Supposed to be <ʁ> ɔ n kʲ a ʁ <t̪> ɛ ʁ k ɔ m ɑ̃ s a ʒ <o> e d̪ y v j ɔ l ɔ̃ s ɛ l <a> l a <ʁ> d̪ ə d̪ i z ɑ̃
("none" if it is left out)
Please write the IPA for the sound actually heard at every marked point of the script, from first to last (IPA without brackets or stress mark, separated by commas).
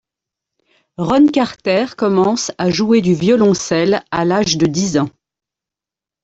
ʁ, t̪, u, a, ʒ